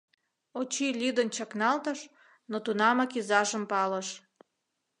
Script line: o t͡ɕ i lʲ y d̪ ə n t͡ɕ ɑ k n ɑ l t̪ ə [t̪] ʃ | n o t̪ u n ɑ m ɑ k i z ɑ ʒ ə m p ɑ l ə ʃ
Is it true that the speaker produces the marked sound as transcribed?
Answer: no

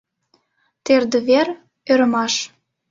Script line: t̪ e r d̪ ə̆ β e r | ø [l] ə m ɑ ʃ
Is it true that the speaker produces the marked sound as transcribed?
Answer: no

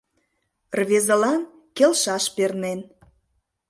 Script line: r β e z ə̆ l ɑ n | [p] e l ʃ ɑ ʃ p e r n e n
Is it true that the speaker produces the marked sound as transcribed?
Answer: no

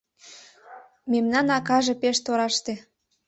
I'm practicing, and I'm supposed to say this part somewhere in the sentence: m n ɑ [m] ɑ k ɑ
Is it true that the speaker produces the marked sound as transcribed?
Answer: no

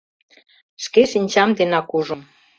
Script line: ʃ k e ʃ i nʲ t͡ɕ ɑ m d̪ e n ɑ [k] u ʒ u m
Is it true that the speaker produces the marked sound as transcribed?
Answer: yes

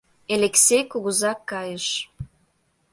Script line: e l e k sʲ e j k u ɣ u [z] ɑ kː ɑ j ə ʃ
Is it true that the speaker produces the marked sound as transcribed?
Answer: yes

